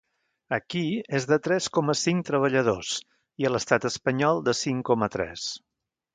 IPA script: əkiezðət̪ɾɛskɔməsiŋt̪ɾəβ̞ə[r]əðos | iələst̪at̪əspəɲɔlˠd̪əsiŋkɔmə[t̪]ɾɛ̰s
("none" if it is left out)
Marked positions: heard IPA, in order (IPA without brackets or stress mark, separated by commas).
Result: ʎ, t̪